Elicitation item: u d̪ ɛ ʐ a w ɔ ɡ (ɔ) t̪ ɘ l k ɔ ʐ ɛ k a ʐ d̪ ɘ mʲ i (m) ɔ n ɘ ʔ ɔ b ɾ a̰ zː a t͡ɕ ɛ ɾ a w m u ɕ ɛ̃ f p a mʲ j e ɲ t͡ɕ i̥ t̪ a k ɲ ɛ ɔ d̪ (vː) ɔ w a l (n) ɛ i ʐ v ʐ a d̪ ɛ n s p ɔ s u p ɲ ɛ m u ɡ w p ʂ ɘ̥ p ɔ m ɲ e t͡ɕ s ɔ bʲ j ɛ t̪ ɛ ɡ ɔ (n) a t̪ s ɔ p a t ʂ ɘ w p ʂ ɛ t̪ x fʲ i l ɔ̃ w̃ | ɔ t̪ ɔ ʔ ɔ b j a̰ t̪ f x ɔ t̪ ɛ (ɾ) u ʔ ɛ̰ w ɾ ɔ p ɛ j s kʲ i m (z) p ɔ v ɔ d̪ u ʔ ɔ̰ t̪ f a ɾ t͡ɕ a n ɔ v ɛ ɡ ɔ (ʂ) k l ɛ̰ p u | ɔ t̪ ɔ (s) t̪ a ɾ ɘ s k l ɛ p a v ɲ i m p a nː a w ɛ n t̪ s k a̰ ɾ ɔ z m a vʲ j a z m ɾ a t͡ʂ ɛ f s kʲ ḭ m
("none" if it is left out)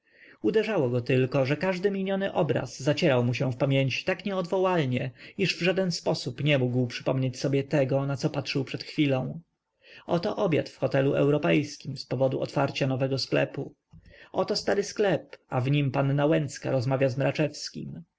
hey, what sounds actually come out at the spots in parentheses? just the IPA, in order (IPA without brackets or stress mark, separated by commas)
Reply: ɔ, ɲ, v, ɲ, n, l, s, s, s